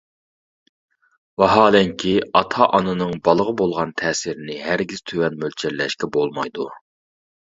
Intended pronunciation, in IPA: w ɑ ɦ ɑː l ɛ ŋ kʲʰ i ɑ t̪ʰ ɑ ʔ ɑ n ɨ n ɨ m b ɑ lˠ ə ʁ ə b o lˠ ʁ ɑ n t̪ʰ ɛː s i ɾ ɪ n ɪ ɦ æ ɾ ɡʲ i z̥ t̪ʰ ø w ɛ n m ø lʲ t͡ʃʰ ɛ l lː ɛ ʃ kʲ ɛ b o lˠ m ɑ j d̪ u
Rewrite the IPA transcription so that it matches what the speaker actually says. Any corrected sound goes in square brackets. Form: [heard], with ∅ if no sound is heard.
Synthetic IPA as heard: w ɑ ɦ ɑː l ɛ ŋ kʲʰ i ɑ t̪ʰ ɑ ʔ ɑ n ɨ n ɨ [ŋ] b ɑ lˠ ə ʁ ə b o lˠ ʁ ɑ n t̪ʰ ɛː s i ɾ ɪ n ɪ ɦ æ ɾ ɡʲ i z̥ t̪ʰ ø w ɛ n m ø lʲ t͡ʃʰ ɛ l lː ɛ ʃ kʲ ɛ b o lˠ m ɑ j d̪ u